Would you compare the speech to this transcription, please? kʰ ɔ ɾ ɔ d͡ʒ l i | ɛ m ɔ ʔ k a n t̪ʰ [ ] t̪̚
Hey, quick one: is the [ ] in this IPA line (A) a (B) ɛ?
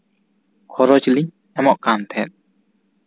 B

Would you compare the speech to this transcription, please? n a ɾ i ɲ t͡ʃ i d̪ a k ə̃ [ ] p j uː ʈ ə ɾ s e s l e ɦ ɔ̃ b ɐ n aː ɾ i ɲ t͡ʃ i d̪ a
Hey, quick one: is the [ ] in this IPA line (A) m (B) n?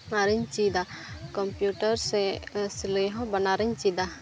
A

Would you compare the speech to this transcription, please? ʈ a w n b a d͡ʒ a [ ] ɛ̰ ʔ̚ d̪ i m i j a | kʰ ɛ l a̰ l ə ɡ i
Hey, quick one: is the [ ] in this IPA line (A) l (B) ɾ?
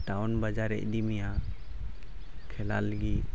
B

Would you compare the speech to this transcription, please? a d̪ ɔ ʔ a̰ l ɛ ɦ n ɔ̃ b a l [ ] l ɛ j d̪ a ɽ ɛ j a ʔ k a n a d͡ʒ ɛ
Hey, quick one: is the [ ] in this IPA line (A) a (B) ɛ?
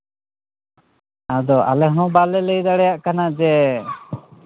B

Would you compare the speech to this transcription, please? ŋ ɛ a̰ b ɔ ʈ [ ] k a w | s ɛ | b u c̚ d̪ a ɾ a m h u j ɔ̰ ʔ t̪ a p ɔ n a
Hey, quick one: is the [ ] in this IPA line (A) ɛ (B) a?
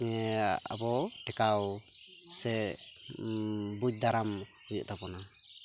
A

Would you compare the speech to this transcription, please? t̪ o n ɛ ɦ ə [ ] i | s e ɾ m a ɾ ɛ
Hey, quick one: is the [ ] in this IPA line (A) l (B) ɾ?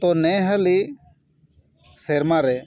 A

